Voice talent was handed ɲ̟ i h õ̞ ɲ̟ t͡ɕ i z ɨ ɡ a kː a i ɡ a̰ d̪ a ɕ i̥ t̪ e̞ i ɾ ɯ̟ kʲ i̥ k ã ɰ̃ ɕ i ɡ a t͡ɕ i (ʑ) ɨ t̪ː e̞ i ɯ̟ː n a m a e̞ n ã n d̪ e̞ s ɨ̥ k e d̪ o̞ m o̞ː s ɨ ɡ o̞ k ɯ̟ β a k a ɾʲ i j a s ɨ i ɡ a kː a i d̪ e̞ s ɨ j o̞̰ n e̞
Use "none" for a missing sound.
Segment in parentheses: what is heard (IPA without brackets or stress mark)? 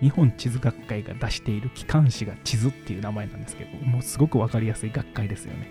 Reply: z